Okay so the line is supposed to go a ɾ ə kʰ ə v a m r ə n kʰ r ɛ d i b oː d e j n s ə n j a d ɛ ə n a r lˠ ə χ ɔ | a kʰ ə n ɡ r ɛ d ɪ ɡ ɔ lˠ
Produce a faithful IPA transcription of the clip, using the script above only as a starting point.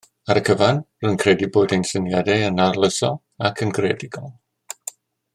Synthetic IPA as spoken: a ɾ ə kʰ ə v a n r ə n kʰ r ɛ d i b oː d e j n s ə n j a d ɛ ə n a r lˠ ə s ɔ | a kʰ ə n ɡ r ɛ d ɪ ɡ ɔ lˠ